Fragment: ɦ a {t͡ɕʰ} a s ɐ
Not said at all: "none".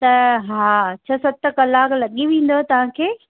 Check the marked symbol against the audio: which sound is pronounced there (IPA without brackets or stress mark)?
t͡ɕʰ